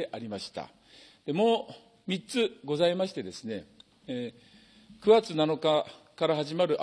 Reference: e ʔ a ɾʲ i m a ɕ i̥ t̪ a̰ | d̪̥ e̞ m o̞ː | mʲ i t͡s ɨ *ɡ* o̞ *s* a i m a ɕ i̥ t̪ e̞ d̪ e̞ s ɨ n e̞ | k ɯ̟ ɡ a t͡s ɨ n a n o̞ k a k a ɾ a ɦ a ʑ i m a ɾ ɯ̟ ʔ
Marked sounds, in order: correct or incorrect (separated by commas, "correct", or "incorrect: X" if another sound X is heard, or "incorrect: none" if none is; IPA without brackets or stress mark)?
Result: correct, incorrect: z